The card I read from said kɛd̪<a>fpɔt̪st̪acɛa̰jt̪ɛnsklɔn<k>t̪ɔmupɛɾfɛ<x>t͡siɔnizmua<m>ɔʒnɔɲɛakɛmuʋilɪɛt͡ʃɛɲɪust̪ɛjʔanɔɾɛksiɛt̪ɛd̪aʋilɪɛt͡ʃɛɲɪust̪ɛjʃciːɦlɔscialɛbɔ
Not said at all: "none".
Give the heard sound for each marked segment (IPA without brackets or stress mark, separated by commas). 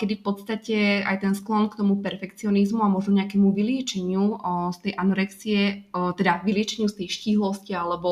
i, k, k, m